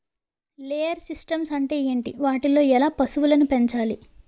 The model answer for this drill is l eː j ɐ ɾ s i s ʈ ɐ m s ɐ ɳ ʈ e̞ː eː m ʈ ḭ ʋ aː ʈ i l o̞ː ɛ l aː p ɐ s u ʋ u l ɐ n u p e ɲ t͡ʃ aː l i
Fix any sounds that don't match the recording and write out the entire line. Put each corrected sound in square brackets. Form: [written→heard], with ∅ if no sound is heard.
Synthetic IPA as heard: l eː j ɐ ɾ s i s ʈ ɐ m s ɐ ɳ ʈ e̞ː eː [m→ɳ] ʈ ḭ ʋ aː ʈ i l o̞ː ɛ l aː p ɐ s u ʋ u l ɐ n u p e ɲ t͡ʃ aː l i